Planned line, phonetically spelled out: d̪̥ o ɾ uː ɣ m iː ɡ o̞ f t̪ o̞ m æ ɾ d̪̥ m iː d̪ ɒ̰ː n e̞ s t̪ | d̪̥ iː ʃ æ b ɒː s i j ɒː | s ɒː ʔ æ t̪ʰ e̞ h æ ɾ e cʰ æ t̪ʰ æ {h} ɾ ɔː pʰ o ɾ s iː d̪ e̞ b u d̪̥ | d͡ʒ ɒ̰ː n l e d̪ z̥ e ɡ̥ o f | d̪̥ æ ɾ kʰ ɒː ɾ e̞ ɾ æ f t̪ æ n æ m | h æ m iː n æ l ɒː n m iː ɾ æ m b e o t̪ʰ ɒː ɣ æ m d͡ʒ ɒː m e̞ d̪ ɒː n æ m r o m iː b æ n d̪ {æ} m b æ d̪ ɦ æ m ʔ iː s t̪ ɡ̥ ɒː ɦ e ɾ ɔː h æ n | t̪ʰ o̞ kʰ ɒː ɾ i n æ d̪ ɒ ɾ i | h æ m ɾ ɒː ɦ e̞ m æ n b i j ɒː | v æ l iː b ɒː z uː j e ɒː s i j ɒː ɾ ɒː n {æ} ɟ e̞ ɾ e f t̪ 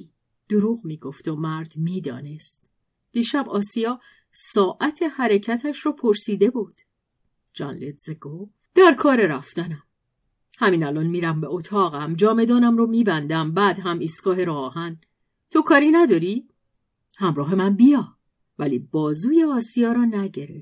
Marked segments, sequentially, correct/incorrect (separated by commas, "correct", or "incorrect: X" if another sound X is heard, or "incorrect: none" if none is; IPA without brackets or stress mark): incorrect: ʃ, correct, correct